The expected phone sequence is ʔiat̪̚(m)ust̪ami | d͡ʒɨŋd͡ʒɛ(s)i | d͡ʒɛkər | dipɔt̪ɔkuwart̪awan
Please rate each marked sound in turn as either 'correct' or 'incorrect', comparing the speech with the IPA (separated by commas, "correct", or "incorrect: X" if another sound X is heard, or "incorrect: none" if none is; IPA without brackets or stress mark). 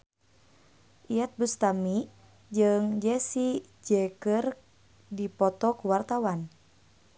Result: incorrect: b, correct